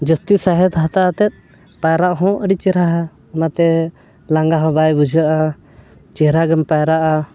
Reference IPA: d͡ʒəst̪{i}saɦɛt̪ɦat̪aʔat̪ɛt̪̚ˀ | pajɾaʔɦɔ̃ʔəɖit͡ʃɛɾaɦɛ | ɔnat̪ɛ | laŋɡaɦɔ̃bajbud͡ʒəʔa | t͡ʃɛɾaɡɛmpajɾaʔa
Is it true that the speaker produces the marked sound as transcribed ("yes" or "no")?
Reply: yes